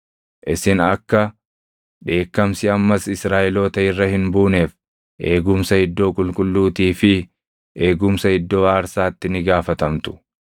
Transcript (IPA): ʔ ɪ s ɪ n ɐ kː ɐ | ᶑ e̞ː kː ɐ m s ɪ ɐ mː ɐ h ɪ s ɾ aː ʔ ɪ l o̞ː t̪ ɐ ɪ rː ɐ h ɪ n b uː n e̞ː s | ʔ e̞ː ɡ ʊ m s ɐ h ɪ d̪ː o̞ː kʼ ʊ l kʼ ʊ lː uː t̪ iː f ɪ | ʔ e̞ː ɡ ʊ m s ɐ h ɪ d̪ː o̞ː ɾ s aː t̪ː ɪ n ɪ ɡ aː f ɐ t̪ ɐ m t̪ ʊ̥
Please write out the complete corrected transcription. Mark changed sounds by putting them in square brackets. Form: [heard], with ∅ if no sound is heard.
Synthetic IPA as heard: ʔ ɪ s ɪ n ɐ kː ɐ | ᶑ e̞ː kː ɐ m s ɪ ɐ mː ɐ [s] ɪ s ɾ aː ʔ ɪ l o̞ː t̪ ɐ ɪ rː ɐ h ɪ n b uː n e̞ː [f] | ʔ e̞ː ɡ ʊ m s ɐ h ɪ d̪ː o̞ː kʼ ʊ l kʼ ʊ lː uː t̪ iː f ɪ | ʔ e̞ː ɡ ʊ m s ɐ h ɪ d̪ː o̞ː ɾ s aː t̪ː ɪ n ɪ ɡ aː f ɐ t̪ ɐ m t̪ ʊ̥